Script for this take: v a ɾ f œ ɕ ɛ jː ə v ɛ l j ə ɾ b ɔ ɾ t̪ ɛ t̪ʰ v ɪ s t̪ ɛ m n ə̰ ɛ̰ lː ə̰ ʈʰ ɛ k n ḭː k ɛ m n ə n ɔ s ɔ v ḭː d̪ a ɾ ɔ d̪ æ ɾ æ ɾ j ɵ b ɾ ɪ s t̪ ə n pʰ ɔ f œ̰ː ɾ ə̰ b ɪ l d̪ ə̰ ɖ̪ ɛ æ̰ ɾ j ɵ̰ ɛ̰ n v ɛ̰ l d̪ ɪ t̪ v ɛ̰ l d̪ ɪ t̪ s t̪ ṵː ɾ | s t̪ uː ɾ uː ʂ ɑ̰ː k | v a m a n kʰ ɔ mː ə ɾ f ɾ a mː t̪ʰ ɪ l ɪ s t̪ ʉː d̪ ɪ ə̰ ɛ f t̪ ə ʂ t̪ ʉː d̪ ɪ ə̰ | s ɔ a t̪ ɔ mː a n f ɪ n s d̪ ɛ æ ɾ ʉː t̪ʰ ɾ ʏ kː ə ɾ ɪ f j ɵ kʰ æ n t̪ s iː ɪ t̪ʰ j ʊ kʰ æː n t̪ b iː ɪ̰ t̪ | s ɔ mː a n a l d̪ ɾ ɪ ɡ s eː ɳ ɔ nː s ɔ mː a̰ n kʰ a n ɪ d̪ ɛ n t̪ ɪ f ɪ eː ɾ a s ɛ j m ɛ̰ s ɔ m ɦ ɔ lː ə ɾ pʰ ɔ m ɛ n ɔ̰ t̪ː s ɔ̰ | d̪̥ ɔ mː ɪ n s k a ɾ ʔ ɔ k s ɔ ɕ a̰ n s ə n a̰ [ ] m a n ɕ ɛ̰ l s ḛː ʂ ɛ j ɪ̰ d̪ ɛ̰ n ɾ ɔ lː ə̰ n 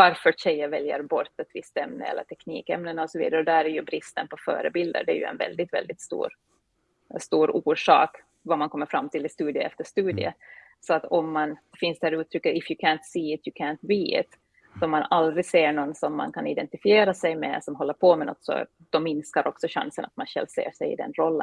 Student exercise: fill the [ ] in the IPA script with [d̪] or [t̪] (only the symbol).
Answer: t̪